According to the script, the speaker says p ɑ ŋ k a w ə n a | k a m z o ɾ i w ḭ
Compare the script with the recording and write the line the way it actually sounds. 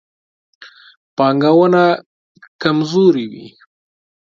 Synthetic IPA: p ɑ ŋ ɡ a w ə n a | k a m z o ɾ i w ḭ